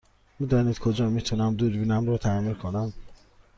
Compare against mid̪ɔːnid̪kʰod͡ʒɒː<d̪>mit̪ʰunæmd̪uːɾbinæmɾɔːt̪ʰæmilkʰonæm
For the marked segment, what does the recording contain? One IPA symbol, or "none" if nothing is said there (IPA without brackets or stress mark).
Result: none